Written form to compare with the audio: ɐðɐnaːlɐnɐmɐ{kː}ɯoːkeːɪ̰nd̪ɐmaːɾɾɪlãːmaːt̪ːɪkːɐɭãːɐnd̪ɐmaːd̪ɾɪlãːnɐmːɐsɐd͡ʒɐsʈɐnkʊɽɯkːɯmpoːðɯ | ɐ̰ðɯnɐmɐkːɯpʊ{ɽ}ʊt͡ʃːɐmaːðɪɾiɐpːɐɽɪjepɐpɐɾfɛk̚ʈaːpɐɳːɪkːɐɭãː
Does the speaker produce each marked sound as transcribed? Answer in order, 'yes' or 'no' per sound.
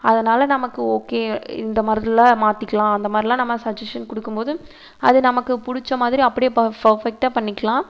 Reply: yes, yes

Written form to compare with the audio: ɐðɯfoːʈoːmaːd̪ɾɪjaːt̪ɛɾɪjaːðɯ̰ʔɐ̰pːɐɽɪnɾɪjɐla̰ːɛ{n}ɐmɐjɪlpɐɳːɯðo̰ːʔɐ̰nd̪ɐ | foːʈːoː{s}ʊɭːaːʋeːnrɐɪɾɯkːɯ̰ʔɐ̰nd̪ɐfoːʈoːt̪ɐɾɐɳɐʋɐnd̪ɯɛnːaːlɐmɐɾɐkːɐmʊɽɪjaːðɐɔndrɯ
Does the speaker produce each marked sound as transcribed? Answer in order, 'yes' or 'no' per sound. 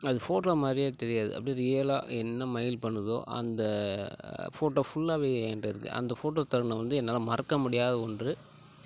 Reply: no, no

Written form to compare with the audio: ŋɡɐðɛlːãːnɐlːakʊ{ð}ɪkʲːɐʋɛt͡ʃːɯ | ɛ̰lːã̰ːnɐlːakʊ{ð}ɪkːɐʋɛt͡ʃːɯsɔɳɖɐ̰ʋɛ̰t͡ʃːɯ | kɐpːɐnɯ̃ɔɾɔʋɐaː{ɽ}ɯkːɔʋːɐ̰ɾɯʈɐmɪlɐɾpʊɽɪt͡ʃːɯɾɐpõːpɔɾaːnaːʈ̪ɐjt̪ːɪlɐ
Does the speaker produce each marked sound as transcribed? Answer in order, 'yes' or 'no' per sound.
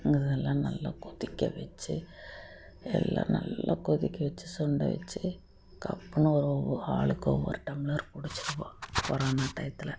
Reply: yes, yes, no

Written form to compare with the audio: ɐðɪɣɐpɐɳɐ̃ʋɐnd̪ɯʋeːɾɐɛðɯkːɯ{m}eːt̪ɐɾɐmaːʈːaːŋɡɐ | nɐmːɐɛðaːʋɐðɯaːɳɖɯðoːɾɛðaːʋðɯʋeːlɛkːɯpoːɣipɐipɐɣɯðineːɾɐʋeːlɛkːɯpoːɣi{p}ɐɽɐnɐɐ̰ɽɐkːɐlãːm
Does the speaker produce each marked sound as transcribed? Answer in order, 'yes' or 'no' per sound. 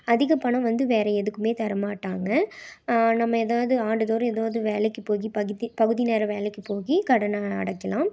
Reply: yes, no

